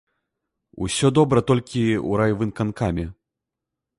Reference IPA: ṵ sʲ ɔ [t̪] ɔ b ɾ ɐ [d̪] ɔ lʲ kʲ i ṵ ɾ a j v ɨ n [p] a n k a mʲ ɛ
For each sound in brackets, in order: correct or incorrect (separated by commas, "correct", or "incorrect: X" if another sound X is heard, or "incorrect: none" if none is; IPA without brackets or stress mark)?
incorrect: d̪, incorrect: t̪, incorrect: k